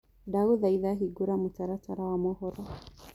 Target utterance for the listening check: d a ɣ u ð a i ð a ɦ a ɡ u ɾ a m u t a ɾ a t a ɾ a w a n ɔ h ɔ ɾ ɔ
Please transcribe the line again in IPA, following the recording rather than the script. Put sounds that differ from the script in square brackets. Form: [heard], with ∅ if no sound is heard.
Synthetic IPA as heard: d a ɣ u ð a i ð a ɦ [i] ɡ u ɾ a m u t a ɾ a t a ɾ a w a [m] ɔ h ɔ ɾ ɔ